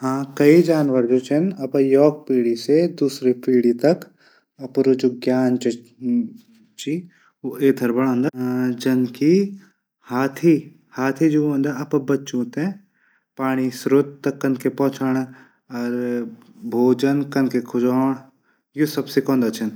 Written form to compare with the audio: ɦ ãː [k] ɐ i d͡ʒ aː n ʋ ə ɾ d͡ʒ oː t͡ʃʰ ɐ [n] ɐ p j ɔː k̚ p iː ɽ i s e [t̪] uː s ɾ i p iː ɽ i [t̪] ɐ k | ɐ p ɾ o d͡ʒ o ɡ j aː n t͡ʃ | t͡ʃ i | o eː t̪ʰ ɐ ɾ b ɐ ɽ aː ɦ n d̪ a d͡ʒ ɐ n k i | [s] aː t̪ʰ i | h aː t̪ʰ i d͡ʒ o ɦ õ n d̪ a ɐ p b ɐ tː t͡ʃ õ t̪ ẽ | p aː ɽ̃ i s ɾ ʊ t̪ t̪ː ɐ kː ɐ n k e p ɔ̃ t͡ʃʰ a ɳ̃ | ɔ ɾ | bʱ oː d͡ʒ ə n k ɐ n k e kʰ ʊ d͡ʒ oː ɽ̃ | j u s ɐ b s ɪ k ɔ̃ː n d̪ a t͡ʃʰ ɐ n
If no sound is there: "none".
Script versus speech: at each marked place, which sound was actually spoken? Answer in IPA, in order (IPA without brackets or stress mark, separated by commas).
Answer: k, n, d̪, t̪, h